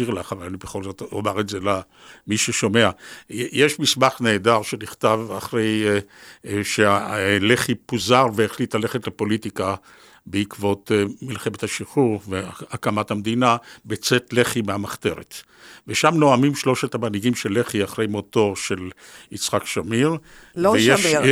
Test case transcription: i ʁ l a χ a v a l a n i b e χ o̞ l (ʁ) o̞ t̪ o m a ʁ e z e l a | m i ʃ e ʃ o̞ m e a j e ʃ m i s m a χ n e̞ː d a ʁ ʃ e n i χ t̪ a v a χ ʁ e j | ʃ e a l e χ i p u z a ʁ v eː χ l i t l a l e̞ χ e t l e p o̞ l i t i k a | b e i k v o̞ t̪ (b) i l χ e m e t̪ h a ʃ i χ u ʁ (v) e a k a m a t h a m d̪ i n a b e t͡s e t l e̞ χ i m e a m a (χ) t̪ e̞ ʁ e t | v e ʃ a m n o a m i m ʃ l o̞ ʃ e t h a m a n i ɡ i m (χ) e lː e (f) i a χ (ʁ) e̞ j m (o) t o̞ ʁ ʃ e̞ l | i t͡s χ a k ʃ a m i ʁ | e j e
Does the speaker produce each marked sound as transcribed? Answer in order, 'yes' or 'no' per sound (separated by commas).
no, no, yes, yes, no, no, yes, yes